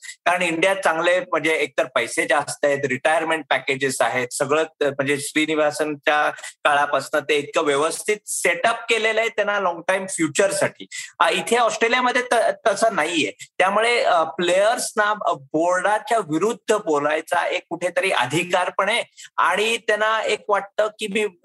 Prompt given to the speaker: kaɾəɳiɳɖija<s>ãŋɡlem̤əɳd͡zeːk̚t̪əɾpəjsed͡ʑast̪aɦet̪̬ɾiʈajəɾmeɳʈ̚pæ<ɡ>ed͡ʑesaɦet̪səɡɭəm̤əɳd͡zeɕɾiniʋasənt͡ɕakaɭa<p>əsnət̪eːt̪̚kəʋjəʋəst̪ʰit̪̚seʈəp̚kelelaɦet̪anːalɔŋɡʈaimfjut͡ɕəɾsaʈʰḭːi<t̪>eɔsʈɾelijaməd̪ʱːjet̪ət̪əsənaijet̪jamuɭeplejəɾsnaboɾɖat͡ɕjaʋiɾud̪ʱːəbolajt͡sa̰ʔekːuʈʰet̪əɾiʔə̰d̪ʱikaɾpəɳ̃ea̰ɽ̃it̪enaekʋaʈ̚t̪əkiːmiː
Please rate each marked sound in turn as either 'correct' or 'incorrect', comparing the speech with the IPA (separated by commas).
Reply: incorrect, incorrect, correct, incorrect